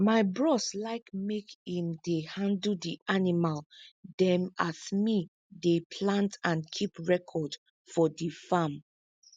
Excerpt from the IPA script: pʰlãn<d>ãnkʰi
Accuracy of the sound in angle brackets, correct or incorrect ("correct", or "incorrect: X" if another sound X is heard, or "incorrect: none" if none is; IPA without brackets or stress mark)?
incorrect: t